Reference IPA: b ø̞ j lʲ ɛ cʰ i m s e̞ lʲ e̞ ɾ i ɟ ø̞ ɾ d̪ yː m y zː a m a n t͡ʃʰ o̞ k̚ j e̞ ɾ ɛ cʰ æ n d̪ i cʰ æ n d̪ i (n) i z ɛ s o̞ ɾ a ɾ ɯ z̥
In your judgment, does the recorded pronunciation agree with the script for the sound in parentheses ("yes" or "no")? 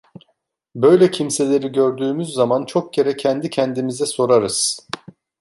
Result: no